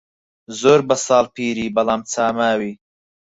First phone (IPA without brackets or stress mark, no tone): z